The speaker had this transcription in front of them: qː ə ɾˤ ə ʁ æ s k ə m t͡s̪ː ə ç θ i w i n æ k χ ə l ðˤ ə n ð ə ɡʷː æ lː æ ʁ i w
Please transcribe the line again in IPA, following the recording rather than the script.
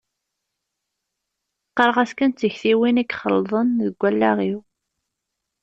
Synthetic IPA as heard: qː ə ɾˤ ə ʁ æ s k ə n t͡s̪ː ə ç θ i w i n æ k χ ə l ðˤ ə n ð ə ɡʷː æ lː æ ʁ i w